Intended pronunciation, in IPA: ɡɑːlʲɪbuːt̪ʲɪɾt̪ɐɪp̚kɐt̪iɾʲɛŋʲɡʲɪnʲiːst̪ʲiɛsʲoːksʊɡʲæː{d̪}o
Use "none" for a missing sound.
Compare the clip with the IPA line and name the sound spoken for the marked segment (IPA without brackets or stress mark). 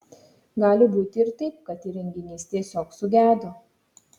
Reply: d̪